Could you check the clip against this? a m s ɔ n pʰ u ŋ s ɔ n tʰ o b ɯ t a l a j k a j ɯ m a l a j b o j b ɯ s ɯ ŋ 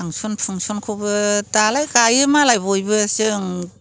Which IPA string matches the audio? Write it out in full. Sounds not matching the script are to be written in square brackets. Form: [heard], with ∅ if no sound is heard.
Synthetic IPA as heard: a [ŋ] s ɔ n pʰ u ŋ s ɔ n [kʰ] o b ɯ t a l a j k a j ɯ m a l a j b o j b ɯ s ɯ ŋ